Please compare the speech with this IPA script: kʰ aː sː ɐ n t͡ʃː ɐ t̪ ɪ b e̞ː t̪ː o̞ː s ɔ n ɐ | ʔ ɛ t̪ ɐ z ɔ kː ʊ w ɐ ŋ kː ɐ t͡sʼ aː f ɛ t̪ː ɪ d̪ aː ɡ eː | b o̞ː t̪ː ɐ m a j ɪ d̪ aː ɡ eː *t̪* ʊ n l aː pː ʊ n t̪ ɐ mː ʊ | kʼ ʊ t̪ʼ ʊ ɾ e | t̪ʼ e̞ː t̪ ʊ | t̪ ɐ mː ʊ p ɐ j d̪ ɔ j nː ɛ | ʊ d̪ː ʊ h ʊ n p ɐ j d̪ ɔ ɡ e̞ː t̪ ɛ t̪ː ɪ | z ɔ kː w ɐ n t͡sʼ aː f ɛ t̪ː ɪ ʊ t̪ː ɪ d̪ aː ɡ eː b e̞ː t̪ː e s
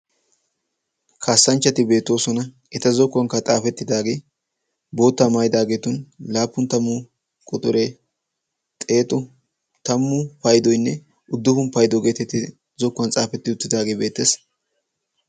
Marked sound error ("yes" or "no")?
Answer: no